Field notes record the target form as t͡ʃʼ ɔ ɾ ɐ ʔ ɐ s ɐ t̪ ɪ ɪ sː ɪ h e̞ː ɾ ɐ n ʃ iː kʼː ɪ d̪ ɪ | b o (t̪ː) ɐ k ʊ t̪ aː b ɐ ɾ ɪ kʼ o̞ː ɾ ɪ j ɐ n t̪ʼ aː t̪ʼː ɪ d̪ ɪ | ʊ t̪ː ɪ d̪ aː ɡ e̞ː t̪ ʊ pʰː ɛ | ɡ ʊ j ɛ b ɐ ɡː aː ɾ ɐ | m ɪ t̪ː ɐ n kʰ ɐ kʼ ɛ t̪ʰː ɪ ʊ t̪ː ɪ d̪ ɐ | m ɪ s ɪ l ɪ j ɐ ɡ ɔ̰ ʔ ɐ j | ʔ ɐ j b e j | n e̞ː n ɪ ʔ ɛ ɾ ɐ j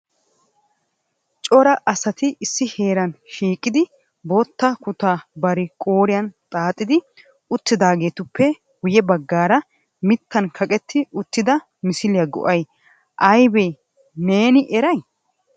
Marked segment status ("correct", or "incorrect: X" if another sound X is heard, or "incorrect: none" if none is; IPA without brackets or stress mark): correct